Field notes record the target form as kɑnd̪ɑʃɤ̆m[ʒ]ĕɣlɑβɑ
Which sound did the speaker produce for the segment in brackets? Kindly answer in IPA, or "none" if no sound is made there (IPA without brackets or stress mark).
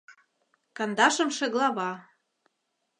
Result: ʃ